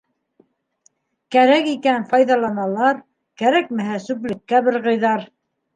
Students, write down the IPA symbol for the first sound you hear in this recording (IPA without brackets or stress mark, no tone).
k